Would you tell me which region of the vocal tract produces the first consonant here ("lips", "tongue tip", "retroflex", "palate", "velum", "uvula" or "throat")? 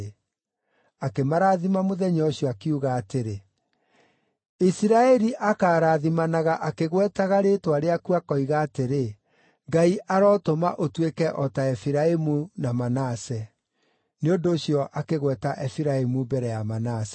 velum